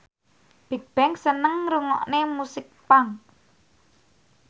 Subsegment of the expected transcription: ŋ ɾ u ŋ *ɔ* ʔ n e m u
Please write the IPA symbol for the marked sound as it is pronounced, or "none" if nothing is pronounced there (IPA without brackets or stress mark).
ɔ